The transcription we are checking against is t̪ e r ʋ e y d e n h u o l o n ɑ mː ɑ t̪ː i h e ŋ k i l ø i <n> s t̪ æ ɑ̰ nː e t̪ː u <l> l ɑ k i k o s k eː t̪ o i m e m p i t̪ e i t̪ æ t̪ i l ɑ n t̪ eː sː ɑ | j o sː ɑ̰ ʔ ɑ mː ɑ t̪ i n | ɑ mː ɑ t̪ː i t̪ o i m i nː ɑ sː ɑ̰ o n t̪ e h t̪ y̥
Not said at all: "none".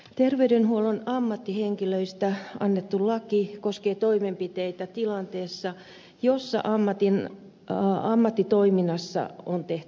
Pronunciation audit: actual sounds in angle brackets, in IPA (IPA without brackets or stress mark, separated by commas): none, l